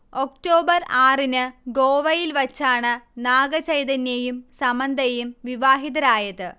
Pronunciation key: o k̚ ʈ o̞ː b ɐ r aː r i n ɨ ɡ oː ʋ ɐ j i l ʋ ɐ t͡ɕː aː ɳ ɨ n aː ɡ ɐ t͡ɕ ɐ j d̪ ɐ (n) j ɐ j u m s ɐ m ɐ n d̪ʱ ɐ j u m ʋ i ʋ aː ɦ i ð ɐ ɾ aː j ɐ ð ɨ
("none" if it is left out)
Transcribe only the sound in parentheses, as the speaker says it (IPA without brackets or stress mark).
n